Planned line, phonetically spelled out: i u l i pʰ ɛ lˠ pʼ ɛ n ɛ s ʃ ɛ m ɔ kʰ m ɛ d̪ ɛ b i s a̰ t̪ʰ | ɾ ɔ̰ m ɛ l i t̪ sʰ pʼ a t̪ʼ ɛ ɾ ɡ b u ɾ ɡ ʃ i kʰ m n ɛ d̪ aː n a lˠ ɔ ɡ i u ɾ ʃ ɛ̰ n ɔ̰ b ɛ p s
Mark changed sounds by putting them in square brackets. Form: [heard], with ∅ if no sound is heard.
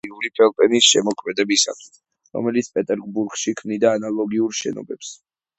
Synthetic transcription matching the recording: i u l i pʰ ɛ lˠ pʼ ɛ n [i] s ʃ ɛ m ɔ kʰ m ɛ d̪ ɛ b i s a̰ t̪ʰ | ɾ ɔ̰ m ɛ l i t̪ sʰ pʼ [ɛ] t̪ʼ ɛ ɾ ɡ b u ɾ ɡ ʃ i kʰ m n [i] d̪ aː n a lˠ ɔ ɡ i u ɾ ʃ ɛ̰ n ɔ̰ b ɛ p s